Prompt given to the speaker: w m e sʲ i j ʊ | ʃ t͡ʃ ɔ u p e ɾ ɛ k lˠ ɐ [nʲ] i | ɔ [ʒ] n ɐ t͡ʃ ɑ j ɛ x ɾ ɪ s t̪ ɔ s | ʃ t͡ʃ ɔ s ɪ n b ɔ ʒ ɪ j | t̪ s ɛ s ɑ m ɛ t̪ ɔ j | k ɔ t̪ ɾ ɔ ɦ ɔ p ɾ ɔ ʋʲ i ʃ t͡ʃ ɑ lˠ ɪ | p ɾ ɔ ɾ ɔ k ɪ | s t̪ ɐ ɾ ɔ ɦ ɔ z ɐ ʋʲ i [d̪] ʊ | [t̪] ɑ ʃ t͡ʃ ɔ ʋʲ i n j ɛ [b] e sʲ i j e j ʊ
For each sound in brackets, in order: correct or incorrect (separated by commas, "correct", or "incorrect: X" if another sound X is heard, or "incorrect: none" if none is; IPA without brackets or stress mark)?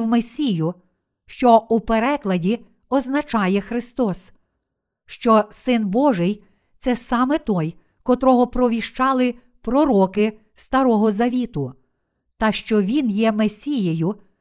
incorrect: dʲ, incorrect: z, incorrect: t̪, correct, incorrect: m